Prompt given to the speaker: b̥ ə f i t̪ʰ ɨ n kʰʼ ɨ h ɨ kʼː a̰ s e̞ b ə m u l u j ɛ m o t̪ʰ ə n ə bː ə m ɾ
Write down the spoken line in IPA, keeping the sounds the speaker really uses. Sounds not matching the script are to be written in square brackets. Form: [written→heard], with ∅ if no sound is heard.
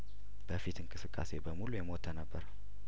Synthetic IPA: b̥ ə f i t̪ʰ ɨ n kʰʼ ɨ [h→s] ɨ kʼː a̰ s e̞ b ə m u l u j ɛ m o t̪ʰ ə n ə bː ə [m→∅] ɾ